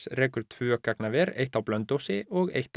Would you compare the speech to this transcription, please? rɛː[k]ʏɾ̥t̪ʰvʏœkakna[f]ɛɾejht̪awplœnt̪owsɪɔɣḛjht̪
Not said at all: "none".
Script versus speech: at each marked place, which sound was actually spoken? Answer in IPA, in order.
k, v

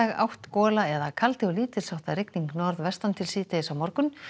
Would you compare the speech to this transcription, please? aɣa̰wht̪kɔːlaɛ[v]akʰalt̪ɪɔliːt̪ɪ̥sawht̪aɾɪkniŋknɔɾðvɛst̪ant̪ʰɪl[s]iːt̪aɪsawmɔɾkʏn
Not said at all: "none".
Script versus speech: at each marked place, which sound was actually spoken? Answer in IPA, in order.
ð, s

